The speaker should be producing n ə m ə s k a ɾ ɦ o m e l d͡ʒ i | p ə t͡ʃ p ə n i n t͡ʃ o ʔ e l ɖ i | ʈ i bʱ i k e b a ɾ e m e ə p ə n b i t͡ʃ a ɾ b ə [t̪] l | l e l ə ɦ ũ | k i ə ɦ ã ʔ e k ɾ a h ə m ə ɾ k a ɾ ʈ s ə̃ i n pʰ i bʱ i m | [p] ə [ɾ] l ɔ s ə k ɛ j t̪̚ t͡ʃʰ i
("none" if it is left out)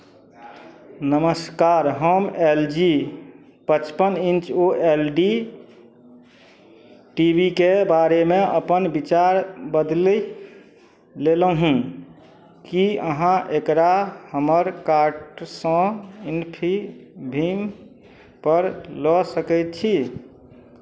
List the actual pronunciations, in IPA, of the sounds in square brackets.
d̪, p, ɾ

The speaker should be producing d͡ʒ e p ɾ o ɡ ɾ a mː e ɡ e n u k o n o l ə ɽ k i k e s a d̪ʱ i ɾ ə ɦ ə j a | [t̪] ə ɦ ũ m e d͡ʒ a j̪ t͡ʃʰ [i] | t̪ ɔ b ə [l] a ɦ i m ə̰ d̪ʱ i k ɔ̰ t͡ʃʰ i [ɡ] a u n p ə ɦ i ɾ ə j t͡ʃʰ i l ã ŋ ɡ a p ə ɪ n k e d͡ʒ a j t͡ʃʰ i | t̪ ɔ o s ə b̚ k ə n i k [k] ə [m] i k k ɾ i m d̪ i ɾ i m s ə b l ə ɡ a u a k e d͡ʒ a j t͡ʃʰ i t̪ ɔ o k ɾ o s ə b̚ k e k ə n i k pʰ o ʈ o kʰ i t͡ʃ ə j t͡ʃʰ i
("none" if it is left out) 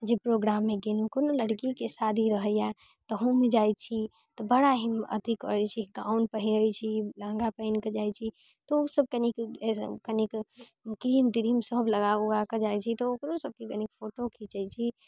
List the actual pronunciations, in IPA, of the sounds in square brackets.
t̪, i, ɽ, ɡ, k, n

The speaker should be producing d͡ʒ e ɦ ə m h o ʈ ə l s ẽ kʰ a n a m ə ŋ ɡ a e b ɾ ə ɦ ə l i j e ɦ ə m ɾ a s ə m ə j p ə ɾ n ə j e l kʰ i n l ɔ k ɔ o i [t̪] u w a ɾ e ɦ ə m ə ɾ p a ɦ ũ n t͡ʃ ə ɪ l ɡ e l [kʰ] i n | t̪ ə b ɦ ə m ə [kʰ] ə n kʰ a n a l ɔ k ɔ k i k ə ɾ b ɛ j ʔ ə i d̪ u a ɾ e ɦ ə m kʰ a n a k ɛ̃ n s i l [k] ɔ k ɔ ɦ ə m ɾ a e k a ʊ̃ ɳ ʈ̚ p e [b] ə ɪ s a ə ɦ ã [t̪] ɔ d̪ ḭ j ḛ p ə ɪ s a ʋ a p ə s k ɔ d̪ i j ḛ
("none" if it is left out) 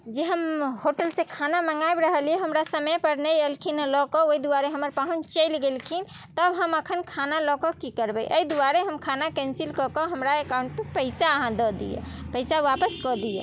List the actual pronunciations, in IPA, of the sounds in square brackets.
d̪, kʰ, kʰ, k, p, d̪

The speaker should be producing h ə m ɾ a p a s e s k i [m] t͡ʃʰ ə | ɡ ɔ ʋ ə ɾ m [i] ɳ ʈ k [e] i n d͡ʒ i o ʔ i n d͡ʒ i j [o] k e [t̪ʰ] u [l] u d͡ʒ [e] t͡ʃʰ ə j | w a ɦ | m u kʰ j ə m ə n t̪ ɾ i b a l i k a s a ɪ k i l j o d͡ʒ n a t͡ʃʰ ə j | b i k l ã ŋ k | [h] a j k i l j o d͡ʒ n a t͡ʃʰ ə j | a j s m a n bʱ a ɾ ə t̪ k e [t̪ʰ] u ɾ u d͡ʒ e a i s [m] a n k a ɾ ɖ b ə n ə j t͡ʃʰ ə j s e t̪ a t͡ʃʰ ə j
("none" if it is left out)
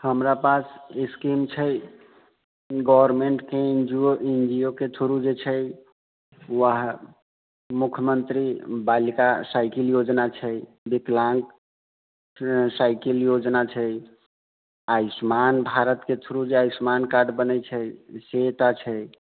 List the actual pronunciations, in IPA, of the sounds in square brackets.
m, e, e, o, t̪ʰ, ɾ, e, s, t̪ʰ, m

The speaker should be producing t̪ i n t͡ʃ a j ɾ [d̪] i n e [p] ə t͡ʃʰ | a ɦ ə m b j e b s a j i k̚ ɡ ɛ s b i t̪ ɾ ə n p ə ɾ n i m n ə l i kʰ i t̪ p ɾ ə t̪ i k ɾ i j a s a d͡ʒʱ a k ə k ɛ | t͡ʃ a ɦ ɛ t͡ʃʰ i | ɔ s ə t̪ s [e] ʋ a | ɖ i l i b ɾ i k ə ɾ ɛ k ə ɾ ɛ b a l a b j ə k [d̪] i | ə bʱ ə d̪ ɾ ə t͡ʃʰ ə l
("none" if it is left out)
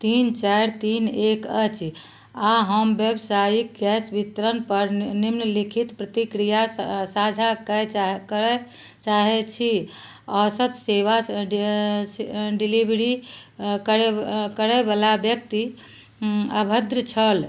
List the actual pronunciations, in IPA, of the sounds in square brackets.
t̪, k, e, t̪

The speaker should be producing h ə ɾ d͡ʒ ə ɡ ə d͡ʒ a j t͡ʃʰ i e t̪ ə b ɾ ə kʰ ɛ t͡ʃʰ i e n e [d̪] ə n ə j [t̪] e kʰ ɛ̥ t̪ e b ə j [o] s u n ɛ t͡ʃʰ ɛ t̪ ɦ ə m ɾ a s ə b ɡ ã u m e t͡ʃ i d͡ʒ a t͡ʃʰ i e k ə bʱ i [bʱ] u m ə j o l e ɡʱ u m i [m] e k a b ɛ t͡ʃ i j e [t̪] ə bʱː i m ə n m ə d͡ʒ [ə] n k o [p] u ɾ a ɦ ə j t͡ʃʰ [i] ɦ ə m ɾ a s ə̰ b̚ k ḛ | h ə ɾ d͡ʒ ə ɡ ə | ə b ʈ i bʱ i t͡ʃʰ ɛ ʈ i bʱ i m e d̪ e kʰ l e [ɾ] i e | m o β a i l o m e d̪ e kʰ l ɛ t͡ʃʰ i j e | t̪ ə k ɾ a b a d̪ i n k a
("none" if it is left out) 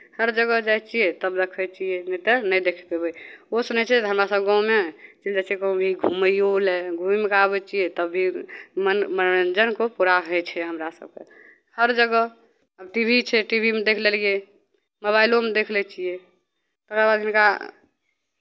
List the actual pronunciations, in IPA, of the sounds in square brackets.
t̪, d̪, o, ɡʱ, m, t̪, ə, p, ɛ, l

